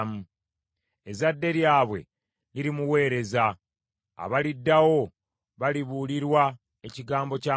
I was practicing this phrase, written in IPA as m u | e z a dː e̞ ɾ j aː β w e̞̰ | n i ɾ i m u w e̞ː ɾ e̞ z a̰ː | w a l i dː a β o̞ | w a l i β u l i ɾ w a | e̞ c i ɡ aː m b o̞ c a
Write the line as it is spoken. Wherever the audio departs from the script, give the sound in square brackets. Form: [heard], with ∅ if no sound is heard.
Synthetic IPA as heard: m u | e z a dː e̞ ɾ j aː β w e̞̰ | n i ɾ i m u w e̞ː ɾ e̞ z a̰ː | [β] a l i dː a [w] o̞ | [β] a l i β u l i ɾ w a | e̞ c i ɡ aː m b o̞ c a

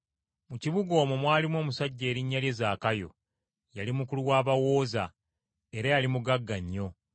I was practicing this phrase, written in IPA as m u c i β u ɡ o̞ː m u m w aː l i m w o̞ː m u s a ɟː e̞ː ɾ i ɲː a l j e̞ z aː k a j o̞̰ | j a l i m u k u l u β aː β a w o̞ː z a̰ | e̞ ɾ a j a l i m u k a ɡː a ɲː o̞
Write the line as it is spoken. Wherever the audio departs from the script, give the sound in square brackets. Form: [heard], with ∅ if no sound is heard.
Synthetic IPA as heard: m u c i β u ɡ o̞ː m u m w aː l i m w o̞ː m u s a ɟː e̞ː ɾ i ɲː a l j e̞ z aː k a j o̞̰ | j a l i m u k u l u [w] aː β a w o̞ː z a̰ | e̞ ɾ a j a l i m u [ɡ] a ɡː a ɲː o̞

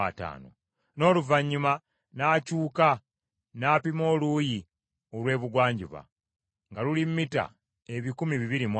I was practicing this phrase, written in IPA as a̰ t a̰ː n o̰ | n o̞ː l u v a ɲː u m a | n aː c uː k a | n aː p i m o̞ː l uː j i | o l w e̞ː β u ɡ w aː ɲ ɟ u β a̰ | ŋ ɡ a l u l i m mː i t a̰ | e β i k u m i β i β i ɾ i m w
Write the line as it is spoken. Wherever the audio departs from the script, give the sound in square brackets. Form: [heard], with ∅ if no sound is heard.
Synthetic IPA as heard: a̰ t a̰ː n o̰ | n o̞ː l u v a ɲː u m a | n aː c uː k a | n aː p i m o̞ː l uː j i | o l w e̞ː β u ɡ w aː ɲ ɟ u β a̰ | ŋ ɡ a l u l i m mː i t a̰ | e β i k u m i β i β i ɾ i m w

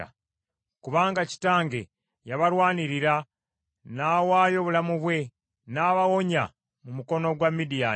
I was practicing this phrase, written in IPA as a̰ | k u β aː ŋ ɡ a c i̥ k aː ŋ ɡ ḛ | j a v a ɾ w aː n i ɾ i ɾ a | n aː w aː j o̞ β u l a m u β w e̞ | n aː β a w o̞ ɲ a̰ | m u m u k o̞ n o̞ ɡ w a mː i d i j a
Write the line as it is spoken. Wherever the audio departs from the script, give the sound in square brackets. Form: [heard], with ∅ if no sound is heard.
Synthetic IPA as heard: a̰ | k u β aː ŋ ɡ a c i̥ [t] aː ŋ ɡ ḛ | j a [β] a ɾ w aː n i ɾ i ɾ a | n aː w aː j o̞ β u l a m u β w e̞ | n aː β a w o̞ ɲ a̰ | m u m u k o̞ n o̞ ɡ w a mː i d i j a

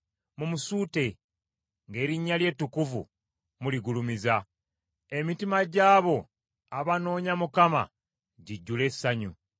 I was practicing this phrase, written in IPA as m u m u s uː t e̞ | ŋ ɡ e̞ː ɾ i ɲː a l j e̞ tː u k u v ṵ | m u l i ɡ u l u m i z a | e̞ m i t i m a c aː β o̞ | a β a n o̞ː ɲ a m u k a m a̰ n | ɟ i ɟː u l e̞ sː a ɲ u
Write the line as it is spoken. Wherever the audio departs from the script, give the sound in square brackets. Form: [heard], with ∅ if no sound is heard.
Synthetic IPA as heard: m u m u s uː t e̞ | ŋ ɡ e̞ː ɾ i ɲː a l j e̞ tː u k u v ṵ | m u l i ɡ u l u m i z a | e̞ m i t i m a [ɟ] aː β o̞ | a β a n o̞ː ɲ a m u k a m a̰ [∅] | ɟ i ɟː u l e̞ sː a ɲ u

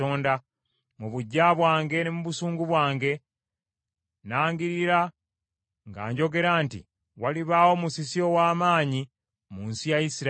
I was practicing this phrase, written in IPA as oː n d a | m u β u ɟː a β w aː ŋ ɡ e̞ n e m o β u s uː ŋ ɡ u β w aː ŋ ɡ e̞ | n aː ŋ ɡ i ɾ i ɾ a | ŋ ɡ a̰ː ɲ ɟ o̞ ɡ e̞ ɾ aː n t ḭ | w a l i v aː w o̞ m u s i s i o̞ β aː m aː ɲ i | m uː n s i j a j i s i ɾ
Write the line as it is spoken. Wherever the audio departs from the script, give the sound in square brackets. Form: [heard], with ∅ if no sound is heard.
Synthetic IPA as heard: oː n d a | m u β u ɟː a β w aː ŋ ɡ e̞ n e m [u] β u s uː ŋ ɡ u β w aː ŋ ɡ e̞ | n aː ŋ ɡ i ɾ i ɾ a | ŋ ɡ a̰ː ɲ ɟ o̞ ɡ e̞ ɾ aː n t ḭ | w a l i [β] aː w o̞ m u s i s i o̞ [w] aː m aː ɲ i | m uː n s i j a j i s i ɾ

